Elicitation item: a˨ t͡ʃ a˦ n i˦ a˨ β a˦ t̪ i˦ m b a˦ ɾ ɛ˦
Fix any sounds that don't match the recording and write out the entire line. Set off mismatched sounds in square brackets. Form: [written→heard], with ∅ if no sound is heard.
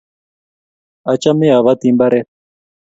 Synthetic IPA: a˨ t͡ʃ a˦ [n→m] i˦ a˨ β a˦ t̪ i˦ m b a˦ ɾ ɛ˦